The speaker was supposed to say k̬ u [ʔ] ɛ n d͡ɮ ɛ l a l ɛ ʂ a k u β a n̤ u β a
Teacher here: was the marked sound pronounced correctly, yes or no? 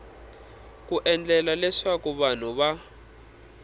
yes